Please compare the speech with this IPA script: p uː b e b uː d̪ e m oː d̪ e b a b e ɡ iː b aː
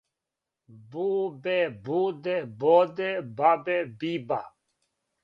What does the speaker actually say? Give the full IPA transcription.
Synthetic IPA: b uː b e b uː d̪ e b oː d̪ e b a b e b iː b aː